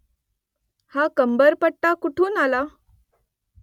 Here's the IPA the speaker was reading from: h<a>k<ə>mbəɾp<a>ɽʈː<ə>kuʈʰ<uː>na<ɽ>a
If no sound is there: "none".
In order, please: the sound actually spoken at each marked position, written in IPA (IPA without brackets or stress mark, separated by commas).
a, ə, ə, a, uː, l